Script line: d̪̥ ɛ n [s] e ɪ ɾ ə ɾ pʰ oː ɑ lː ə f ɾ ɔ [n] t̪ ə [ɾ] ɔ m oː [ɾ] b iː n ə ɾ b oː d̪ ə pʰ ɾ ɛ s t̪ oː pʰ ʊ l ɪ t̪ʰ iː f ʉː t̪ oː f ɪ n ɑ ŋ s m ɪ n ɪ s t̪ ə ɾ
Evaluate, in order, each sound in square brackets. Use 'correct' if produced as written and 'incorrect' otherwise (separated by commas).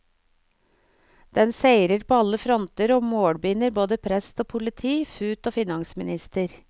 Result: correct, correct, correct, incorrect